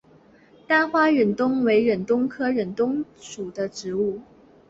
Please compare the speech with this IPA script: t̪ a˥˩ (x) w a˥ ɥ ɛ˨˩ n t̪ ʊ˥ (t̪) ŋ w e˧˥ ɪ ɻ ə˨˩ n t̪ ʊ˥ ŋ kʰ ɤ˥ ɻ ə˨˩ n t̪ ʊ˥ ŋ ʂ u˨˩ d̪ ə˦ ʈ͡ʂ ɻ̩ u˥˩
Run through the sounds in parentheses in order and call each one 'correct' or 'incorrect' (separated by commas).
correct, incorrect